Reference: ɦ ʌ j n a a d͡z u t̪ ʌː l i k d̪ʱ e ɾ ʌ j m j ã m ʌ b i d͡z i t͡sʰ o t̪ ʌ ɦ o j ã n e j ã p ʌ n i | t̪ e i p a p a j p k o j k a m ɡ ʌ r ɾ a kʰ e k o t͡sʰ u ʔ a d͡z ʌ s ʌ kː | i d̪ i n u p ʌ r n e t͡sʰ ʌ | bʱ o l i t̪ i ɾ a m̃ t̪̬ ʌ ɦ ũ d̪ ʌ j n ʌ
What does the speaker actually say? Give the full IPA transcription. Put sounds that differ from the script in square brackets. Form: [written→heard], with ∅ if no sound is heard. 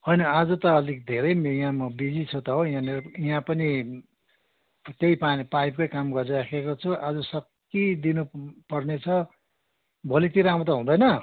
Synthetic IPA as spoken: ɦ ʌ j n [a→ʌ] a d͡z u t̪ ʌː l i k d̪ʱ e ɾ ʌ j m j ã m ʌ b i d͡z i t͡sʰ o t̪ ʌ ɦ o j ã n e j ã p ʌ n i | t̪ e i p a p a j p k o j k a m ɡ ʌ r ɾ a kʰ e k o t͡sʰ u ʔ a d͡z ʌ s ʌ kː | i d̪ i n u p ʌ r n e t͡sʰ ʌ | bʱ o l i t̪ i ɾ a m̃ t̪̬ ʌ ɦ ũ d̪ ʌ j n ʌ